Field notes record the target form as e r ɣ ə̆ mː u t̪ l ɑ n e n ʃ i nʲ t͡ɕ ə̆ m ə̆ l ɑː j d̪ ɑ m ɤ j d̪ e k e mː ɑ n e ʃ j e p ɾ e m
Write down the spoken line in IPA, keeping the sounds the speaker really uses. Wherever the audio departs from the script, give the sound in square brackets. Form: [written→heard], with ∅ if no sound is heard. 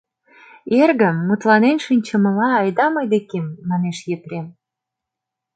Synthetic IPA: e r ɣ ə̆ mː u t̪ l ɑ n e n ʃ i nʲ t͡ɕ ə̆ m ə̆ l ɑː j d̪ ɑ m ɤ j d̪ e k e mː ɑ n e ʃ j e p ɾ e m